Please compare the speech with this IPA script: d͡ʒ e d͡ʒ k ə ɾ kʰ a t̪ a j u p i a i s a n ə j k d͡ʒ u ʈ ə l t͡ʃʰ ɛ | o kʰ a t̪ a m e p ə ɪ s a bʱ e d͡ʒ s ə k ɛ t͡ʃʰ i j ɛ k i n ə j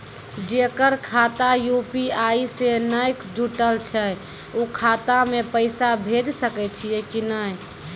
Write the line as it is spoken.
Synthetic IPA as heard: d͡ʒ e k ə ɾ kʰ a t̪ a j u p i a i s e n ə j k d͡ʒ u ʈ ə l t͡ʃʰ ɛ | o kʰ a t̪ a m e p ə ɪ s a bʱ e d͡ʒ s ə k ɛ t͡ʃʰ i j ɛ k i n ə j